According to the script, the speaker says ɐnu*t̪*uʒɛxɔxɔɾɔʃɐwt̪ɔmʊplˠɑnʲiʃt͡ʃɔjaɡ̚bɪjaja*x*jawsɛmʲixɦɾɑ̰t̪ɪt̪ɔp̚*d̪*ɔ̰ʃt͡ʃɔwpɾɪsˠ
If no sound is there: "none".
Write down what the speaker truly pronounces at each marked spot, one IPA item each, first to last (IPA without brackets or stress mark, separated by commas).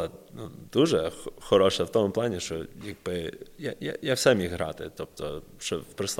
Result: d̪, none, t̪